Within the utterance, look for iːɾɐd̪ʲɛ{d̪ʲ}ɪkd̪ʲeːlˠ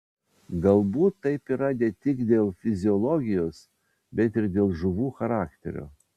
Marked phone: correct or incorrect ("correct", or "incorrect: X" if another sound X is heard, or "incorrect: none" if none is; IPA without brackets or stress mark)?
incorrect: t̪ʲ